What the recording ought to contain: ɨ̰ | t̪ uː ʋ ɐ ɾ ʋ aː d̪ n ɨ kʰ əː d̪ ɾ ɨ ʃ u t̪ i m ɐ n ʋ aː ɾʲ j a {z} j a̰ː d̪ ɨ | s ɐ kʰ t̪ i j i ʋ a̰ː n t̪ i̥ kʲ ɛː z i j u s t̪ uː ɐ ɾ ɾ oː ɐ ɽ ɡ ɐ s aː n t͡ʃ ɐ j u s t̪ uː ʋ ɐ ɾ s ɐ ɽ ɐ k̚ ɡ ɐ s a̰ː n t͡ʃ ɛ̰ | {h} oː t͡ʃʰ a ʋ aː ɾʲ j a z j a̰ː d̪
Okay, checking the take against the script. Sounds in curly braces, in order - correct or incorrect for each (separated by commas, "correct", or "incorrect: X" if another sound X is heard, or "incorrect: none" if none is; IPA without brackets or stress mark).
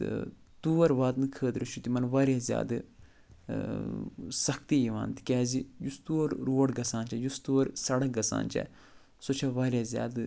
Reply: correct, incorrect: s